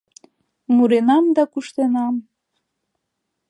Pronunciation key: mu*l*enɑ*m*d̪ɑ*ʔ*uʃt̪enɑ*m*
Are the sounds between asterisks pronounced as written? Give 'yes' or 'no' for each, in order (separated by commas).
no, yes, no, yes